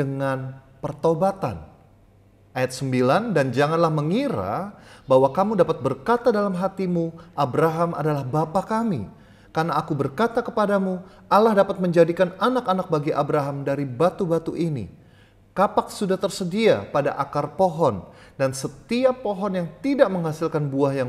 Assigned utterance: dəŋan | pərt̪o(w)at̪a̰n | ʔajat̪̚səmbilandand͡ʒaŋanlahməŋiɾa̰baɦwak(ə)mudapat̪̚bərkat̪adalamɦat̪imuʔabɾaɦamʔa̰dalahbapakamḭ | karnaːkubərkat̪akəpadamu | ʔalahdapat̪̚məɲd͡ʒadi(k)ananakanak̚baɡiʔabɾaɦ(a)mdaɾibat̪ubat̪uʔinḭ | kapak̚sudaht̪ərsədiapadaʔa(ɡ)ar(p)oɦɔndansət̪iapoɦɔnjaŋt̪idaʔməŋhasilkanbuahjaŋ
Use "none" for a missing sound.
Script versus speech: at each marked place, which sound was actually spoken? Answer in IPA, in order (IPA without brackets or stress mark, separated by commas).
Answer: b, a, k, a, k, p